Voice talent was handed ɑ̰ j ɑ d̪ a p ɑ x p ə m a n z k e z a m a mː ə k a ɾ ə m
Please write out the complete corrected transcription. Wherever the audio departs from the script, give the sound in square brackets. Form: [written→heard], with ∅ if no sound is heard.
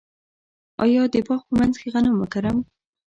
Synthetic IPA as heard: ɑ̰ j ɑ d̪ [a→ə] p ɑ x p ə m a n z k e [z→ɣ] a [m→n] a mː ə k a ɾ [ə→a] m